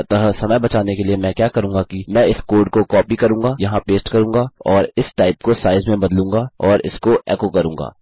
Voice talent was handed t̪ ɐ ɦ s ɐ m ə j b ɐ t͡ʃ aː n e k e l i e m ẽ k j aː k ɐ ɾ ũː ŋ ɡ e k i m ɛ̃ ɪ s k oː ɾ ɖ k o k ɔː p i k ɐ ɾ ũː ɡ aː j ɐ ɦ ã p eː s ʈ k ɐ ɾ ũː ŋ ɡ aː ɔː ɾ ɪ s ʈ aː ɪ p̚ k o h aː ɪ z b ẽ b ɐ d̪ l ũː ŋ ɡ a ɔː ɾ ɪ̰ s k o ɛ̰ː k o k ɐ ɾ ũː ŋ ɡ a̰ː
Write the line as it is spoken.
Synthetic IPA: t̪ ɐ ɦ s ɐ m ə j b ɐ t͡ʃ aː n e k e l i e m ɛ̃ k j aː k ɐ ɾ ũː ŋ ɡ a k i m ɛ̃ ɪ s k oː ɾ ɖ k o k ɔː p i k ɐ ɾ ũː ɡ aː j ɐ ɦ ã p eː s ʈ k ɐ ɾ ũː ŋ ɡ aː ɔː ɾ ɪ s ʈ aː ɪ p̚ k o s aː ɪ z m ẽ b ɐ d̪ l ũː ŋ ɡ a ɔː ɾ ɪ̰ s k o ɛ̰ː k o k ɐ ɾ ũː ŋ ɡ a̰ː

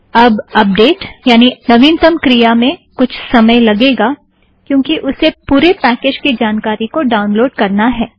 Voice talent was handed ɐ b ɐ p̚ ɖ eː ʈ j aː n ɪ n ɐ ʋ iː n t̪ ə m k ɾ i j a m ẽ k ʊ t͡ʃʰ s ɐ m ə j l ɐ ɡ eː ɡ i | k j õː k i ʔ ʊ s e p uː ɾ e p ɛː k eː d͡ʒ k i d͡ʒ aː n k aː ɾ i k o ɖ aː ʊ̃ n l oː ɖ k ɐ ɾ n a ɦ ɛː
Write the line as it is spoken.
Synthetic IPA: ɐ b ɐ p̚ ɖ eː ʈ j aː n i n ɐ ʋ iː n t̪ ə m k ɾ i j a m ẽ k ʊ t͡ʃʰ s ɐ m ə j l ɐ ɡ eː ɡ a | k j õː k i ʔ ʊ s e p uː ɾ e p ɛː k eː d͡ʒ k i d͡ʒ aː n k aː ɾ i k o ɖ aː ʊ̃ n l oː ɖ k ɐ ɾ n a ɦ ɛː

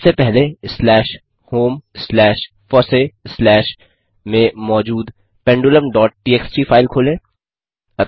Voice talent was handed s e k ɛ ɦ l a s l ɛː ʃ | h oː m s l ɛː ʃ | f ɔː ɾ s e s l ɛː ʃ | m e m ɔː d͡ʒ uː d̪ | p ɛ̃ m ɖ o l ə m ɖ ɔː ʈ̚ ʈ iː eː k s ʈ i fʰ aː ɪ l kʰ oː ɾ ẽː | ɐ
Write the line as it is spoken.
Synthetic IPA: s e p ɛ ɦ l e s l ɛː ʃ | h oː m s l ɛː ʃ | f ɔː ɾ s e s l ɛː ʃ | m ẽ m ɔː d͡ʒ uː d̪ | p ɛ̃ ɳ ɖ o l ə m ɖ ɔː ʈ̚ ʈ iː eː k s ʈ i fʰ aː ɪ l kʰ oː l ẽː | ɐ

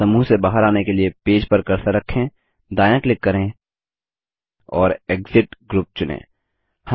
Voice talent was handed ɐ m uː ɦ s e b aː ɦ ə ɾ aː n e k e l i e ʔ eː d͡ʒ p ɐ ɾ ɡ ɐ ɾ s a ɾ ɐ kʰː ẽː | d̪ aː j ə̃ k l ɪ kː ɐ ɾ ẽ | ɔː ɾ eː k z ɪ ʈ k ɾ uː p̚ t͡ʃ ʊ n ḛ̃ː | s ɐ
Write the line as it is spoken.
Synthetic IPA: ɐ m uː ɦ s e b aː ɦ ə ɾ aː n e k e l i e p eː d͡ʒ p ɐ ɾ k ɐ ɾ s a ɾ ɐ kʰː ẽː | d̪ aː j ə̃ k l ɪ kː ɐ ɾ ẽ | ɔː ɾ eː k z ɪ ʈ ɡ ɾ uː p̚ t͡ʃ ʊ n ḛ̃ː | h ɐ

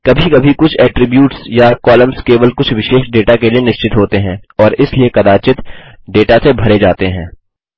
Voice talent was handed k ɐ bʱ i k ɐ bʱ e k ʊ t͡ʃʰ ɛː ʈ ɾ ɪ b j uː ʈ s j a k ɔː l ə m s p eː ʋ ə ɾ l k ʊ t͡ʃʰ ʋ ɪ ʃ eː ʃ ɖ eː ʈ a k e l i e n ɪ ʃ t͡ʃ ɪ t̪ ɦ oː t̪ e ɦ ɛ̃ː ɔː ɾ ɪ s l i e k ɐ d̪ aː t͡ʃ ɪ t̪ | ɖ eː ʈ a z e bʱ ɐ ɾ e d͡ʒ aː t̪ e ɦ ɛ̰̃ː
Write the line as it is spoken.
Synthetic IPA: k ɐ bʱ i k ɐ bʱ i k ʊ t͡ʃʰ ɛː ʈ ɾ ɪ b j uː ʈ s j a k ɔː l ə m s k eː ʋ ə l k ʊ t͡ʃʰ ʋ ɪ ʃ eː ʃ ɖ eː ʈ a k e l i e n ɪ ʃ t͡ʃ ɪ t̪ ɦ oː t̪ e ɦ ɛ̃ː ɔː ɾ ɪ s l i e k ɐ d̪ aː t͡ʃ ɪ t̪ | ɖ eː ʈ a s e bʱ ɐ ɾ e d͡ʒ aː t̪ e ɦ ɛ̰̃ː

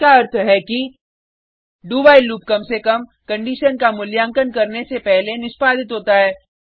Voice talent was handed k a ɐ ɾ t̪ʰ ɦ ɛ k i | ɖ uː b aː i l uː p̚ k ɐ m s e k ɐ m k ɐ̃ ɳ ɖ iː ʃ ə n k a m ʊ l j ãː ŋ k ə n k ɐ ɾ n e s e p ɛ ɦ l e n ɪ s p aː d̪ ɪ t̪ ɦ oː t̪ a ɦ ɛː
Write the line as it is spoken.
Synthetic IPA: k a ɐ ɾ t̪ʰ ɦ ɛ k i | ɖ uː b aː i l uː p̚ k ɐ m s e k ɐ m k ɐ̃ ɳ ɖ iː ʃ ə n k a m ʊ l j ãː ŋ k ə n k ɐ ɾ n e s e p ɛ ɦ l e n ɪ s p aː d̪ ɪ t̪ ɦ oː t̪ a ɦ ɛː

